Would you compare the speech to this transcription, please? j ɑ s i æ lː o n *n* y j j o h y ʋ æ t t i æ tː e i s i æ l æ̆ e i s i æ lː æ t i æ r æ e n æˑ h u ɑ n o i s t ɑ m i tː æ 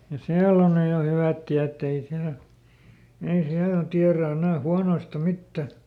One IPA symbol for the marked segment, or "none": n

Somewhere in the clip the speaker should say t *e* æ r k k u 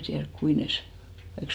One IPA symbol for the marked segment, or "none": i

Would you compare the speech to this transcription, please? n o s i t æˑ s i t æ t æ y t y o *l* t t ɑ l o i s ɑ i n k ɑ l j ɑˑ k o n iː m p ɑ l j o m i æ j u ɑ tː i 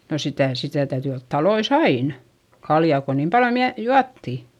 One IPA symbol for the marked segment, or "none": l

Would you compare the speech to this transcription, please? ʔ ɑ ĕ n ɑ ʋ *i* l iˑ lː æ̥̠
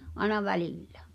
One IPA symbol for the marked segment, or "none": æ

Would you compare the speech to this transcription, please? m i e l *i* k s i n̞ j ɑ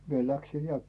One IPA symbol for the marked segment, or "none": æ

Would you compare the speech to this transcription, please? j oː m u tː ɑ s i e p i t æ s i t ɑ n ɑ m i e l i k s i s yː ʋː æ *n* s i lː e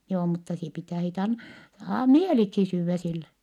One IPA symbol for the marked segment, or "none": none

